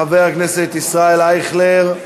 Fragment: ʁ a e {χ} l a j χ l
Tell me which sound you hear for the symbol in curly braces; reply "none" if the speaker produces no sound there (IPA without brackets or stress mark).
none